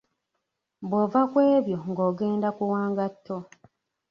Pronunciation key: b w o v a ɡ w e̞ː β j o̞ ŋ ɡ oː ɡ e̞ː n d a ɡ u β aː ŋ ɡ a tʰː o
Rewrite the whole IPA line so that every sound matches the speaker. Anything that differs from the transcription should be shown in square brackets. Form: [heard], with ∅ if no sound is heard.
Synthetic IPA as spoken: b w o v a [k] w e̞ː β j o̞ ŋ ɡ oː ɡ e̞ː n d a [k] u [w] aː ŋ ɡ a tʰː o